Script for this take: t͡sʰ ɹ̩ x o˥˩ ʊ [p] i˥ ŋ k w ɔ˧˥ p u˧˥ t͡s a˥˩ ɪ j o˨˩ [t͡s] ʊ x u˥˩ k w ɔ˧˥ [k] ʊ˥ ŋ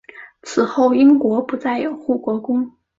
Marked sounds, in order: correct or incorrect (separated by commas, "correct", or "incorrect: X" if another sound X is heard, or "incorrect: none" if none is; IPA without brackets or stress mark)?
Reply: incorrect: none, incorrect: none, correct